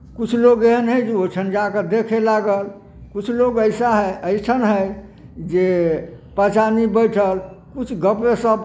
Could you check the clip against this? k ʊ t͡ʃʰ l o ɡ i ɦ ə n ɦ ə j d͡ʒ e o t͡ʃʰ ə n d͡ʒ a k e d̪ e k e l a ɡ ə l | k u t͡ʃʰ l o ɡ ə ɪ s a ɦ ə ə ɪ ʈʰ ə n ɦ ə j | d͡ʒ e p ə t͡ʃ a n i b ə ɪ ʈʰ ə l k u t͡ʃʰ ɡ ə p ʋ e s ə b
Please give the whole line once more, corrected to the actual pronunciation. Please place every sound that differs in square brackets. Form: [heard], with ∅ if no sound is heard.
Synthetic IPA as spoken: k [u] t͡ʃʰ l o ɡ [e] ɦ ə n ɦ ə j d͡ʒ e o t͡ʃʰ ə n d͡ʒ a k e d̪ e [kʰ] e l a ɡ ə l | k u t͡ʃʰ l o ɡ ə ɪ s a ɦ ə ə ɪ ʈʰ ə n ɦ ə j | d͡ʒ e p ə t͡ʃ a n i b ə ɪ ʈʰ ə l k u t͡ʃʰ ɡ ə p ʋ e s ə b